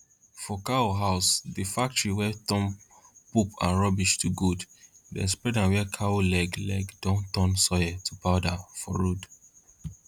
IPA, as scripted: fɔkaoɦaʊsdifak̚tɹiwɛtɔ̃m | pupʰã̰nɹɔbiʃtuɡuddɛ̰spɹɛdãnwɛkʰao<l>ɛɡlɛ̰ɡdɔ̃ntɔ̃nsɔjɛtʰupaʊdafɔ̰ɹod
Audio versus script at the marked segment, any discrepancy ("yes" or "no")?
no